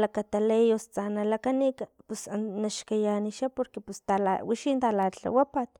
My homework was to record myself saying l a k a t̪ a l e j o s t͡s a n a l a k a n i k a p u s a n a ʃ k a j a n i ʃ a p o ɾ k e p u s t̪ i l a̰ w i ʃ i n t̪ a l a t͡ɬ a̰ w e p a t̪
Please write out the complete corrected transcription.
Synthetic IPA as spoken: l a k a t̪ a l e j o s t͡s a n a l a k a n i k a p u s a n a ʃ k a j a n i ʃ a p o ɾ k e p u s t̪ a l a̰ w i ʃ i n t̪ a l a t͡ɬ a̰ w a p a t̪